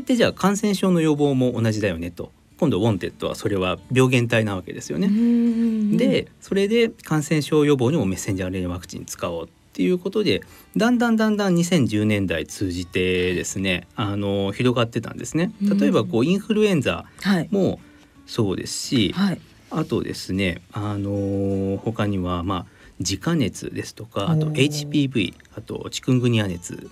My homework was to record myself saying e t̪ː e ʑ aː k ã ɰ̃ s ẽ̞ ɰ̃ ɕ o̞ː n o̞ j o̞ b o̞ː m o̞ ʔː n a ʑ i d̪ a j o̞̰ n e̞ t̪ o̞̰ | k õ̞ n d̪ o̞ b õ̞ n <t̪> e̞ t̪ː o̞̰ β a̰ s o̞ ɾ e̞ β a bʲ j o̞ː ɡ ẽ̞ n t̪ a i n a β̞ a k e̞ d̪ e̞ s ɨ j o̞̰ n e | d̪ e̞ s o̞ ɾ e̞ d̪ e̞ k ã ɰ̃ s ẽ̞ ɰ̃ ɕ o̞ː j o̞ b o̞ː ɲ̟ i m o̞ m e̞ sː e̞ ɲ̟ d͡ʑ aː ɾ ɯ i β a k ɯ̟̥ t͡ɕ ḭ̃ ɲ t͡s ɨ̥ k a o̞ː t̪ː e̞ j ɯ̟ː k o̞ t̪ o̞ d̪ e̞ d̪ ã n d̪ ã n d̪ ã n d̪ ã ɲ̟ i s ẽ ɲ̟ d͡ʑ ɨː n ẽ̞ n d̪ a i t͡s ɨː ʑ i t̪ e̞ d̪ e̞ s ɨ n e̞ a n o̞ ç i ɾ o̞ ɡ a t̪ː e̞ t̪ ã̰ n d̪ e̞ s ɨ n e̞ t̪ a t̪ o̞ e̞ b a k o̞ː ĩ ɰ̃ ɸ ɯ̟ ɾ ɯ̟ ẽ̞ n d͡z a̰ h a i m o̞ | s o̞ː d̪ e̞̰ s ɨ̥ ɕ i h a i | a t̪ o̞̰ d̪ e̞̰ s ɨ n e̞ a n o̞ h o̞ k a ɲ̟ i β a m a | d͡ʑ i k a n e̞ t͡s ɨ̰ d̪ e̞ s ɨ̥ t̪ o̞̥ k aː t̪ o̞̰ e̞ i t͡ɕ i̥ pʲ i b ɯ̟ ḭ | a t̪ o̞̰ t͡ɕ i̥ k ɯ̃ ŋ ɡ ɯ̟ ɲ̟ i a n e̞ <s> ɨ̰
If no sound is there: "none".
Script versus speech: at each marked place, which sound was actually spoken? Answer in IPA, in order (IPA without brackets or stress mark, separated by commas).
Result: t̪, t͡s